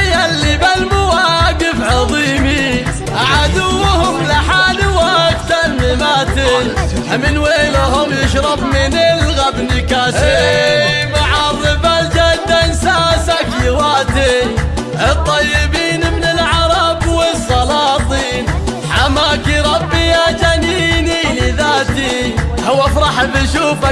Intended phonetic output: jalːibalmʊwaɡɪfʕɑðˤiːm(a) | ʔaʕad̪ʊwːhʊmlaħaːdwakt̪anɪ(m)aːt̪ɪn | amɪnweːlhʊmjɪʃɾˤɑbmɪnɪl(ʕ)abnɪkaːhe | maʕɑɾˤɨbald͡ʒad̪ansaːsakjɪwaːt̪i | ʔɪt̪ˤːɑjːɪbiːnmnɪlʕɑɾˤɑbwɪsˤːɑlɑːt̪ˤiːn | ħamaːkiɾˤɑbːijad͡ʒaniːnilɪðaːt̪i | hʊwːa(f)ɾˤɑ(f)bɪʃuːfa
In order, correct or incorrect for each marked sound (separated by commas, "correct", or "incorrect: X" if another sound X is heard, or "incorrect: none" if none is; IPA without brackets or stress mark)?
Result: incorrect: i, correct, incorrect: ɣ, correct, incorrect: ħ